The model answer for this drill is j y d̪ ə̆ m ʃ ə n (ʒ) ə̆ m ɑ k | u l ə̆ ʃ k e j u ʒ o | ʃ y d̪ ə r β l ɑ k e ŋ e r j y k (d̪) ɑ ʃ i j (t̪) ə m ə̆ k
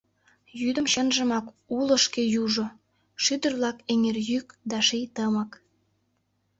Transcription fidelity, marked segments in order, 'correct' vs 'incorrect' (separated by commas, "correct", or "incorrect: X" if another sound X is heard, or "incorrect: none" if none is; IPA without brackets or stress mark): correct, correct, correct